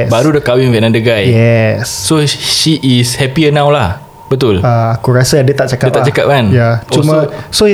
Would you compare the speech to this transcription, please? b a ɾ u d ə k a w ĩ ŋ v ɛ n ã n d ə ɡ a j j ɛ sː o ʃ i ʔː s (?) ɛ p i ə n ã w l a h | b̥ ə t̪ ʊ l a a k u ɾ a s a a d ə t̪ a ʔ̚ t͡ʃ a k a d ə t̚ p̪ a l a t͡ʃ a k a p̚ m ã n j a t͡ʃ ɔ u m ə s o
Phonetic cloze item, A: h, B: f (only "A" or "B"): A